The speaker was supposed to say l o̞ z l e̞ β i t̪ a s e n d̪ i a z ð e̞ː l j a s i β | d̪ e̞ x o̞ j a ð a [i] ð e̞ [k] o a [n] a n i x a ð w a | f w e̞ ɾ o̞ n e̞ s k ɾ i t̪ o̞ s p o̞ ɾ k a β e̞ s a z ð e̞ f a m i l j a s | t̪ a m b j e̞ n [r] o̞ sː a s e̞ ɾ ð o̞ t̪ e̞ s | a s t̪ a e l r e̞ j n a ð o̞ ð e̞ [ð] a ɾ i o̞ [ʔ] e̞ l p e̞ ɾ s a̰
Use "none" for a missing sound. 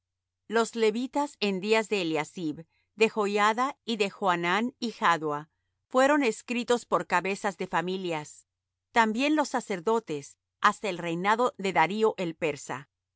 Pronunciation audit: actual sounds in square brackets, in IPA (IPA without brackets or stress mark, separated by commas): i, x, n, l, ð, ʔ